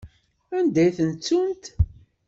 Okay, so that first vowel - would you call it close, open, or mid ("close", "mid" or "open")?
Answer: open